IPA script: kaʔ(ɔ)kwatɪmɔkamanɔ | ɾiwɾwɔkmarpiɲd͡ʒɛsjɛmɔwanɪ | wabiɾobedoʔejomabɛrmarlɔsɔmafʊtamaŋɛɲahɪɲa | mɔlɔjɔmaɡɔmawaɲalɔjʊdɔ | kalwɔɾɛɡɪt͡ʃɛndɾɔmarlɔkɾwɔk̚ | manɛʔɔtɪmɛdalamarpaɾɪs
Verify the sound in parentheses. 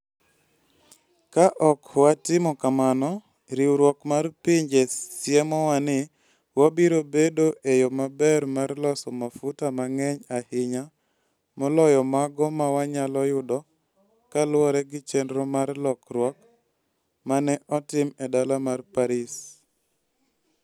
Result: correct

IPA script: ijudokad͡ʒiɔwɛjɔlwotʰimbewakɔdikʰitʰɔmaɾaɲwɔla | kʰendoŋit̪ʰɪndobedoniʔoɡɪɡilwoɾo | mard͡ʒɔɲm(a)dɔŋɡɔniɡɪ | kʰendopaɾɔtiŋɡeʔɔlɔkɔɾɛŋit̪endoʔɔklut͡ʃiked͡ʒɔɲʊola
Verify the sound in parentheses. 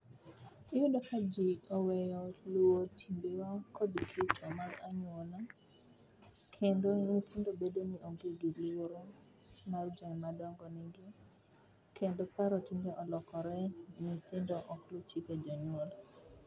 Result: correct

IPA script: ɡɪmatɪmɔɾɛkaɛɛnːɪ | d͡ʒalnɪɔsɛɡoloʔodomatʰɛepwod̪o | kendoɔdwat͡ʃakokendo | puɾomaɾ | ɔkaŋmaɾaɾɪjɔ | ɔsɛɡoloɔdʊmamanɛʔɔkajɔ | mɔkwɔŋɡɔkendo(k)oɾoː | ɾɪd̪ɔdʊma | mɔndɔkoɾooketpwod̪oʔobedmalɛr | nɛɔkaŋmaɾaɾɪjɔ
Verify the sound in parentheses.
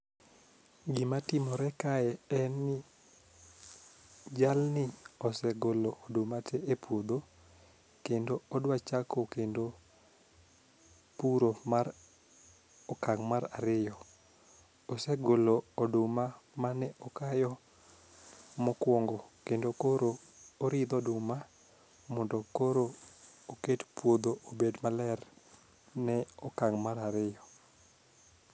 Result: correct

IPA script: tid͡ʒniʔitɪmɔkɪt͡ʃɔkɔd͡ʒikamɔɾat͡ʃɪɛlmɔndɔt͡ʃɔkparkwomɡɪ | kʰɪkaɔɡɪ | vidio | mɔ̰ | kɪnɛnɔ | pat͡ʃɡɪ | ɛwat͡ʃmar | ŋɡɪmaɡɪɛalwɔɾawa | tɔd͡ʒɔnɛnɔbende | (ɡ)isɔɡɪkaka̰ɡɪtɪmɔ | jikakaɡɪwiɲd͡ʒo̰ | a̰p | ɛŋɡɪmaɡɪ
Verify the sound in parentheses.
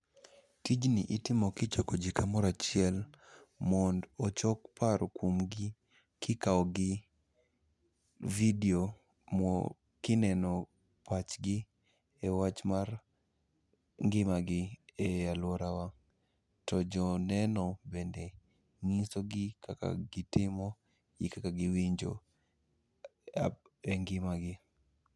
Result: incorrect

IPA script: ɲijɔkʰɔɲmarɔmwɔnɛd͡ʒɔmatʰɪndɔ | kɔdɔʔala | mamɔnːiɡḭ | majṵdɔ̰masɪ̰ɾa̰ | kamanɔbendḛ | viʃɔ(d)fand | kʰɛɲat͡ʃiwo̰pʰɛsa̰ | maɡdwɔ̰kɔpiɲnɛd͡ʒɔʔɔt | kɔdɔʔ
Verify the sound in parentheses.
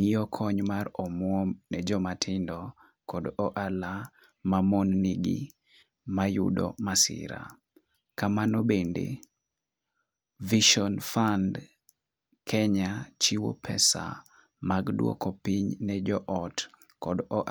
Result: incorrect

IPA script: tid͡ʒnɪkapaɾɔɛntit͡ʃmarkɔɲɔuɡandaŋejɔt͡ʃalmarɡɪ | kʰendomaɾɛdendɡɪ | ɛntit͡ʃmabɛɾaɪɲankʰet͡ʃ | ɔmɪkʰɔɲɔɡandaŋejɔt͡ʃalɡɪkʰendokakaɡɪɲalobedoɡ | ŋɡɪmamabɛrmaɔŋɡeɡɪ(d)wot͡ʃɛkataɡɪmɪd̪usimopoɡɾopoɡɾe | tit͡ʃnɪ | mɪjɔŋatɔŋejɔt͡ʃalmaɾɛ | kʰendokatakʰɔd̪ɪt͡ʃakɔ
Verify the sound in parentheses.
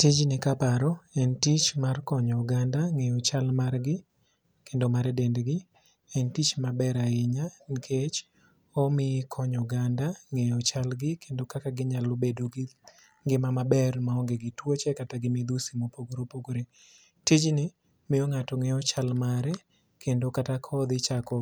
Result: incorrect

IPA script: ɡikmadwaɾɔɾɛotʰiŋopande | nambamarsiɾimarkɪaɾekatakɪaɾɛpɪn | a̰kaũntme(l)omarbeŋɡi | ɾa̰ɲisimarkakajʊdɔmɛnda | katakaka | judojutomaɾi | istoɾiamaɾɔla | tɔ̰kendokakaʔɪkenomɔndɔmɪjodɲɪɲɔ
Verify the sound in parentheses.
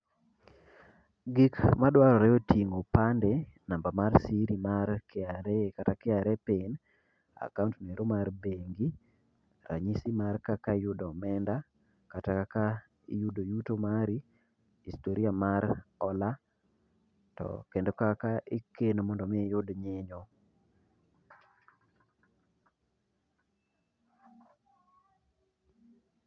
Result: incorrect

